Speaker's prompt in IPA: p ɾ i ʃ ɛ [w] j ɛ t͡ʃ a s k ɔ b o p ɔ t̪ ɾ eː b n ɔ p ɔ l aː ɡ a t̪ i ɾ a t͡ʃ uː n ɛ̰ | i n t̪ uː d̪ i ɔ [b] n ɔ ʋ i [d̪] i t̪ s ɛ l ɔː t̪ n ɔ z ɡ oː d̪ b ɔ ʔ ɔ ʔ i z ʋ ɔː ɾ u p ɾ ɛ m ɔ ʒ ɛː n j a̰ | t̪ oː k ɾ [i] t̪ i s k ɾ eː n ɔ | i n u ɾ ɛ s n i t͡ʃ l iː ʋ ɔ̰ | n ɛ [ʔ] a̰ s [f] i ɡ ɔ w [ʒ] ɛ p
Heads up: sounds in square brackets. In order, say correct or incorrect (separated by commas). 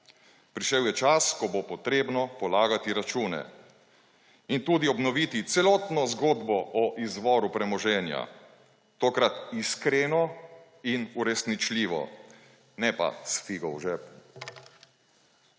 correct, correct, incorrect, incorrect, incorrect, correct, correct